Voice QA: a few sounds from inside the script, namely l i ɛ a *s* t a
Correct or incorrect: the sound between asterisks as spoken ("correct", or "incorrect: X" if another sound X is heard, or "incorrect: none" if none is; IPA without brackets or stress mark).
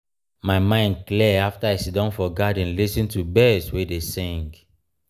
incorrect: f